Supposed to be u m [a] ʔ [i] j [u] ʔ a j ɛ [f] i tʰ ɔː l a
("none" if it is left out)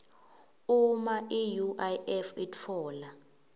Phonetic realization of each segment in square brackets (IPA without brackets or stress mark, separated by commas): a, i, u, f